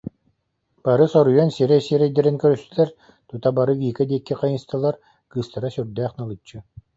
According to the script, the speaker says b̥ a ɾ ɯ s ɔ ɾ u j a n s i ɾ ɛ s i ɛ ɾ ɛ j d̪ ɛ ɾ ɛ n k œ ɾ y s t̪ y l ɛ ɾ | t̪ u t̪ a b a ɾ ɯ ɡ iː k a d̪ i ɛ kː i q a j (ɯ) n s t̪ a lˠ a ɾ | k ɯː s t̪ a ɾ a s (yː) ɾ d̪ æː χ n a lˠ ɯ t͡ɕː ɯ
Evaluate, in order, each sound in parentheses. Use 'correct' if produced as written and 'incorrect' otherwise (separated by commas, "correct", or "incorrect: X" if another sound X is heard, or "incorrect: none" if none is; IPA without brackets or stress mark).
correct, incorrect: y